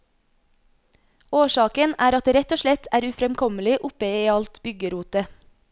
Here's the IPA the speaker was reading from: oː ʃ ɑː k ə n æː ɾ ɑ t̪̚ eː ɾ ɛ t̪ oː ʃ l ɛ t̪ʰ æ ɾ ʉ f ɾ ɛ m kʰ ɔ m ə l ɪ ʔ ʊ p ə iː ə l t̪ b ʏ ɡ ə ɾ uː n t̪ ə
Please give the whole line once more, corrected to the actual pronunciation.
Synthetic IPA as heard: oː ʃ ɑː k ə n æː ɾ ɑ t̪̚ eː ɾ ɛ t̪ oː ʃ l ɛ t̪ʰ æː ɾ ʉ f ɾ ɛ m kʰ ɔ m ə l ɪ ʔ ʊ p ə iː ɑ l t̪ b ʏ ɡ ə ɾ uː t̪ ə